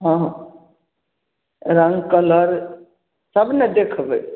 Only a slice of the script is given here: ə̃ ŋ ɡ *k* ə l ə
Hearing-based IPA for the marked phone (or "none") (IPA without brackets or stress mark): k